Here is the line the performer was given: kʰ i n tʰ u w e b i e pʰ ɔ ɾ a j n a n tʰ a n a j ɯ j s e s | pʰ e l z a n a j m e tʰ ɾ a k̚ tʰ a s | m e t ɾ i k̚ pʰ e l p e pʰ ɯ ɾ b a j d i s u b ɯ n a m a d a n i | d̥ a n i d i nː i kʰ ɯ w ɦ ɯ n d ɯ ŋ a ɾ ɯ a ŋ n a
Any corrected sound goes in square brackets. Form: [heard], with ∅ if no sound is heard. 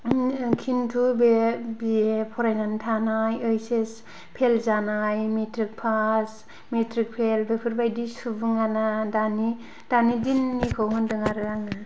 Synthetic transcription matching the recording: kʰ i n tʰ u [b] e b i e pʰ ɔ ɾ a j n a n tʰ a n a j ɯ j s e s | pʰ e l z a n a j m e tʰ ɾ [i] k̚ [pʰ] a s | m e t ɾ i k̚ pʰ e l [b] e pʰ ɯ ɾ b a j d i s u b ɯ [ŋ] a [n] a d a n i | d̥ a n i d i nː i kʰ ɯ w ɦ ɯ n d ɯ ŋ a ɾ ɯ a ŋ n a

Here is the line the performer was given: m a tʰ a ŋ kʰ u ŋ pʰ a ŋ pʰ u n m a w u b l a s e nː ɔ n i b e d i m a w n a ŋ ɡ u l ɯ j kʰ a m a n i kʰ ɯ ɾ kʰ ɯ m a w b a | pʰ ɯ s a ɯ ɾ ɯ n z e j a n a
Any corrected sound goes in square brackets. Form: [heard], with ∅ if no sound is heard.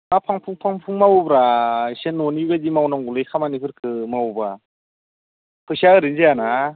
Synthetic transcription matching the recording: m a [pʰ] a ŋ [pʰ] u ŋ pʰ a ŋ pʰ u [ŋ] m a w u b [ɾ] a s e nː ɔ n i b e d i m a w n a ŋ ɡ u l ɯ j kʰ a m a n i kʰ ɯ ɾ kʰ ɯ m a w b a | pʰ ɯ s a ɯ ɾ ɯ n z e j a n a

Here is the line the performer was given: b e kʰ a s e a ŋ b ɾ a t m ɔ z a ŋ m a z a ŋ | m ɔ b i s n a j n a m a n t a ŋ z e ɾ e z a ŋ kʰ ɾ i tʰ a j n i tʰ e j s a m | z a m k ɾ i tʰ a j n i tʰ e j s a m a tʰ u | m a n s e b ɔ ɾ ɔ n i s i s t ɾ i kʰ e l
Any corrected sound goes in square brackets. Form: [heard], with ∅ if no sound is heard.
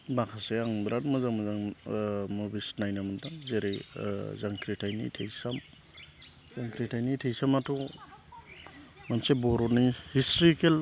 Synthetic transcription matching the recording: b [a] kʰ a s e a ŋ b ɾ a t m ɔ z a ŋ m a z a ŋ | m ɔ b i s n a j n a m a n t a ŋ z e ɾ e z a ŋ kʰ ɾ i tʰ a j n i tʰ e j s a m | z a [ŋ] k ɾ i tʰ a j n i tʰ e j s a m a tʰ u | m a n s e b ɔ ɾ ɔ n i [h] i s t ɾ i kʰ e l

